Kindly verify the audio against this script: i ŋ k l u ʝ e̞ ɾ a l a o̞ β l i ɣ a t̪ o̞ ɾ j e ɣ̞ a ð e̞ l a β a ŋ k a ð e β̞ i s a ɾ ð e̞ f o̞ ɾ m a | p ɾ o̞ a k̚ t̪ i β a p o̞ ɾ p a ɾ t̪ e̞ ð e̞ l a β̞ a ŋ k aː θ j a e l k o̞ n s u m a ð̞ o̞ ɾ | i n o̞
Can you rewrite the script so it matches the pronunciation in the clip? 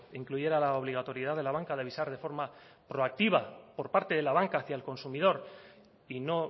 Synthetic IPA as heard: i ŋ k l u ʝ e̞ ɾ a l a o̞ β l i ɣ a t̪ o̞ ɾ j e ð̞ a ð e̞ l a β a ŋ k a ð e β̞ i s a ɾ ð e̞ f o̞ ɾ m a | p ɾ o̞ a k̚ t̪ i β a p o̞ ɾ p a ɾ t̪ e̞ ð e̞ l a β̞ a ŋ k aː θ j a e l k o̞ n s u m i ð̞ o̞ ɾ | i n o̞